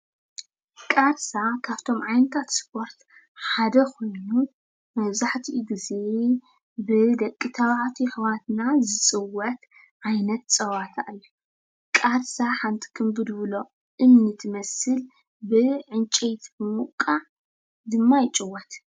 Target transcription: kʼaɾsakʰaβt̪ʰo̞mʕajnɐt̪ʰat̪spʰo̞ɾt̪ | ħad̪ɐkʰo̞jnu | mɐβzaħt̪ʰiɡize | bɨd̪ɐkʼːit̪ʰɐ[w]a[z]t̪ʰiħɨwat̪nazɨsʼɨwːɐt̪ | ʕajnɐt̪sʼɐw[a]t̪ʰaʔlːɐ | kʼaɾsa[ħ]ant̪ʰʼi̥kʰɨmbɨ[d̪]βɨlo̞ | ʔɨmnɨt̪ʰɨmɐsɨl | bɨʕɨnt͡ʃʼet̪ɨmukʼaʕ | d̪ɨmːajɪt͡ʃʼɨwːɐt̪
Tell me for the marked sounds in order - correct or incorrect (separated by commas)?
incorrect, incorrect, correct, correct, correct